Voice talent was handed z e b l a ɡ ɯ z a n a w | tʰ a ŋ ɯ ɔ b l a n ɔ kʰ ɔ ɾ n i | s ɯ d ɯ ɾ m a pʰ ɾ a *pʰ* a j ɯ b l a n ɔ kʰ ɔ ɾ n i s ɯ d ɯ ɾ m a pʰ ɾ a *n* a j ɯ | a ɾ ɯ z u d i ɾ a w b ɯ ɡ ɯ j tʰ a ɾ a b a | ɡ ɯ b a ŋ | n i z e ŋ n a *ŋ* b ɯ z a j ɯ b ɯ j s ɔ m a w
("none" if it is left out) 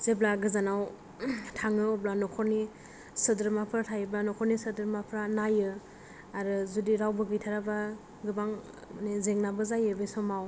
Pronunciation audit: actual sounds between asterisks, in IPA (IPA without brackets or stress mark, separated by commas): tʰ, n, none